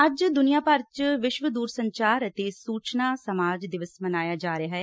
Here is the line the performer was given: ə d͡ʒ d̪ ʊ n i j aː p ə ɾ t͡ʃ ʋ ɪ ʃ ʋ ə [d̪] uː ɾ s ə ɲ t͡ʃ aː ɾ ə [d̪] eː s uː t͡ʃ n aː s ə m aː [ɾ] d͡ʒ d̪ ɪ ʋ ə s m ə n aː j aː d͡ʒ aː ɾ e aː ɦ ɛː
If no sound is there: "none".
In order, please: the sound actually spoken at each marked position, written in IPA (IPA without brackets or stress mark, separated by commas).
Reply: d̪, t̪, none